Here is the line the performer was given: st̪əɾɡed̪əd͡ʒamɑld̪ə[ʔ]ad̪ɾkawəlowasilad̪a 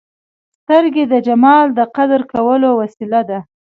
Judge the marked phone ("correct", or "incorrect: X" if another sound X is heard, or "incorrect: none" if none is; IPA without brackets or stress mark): incorrect: q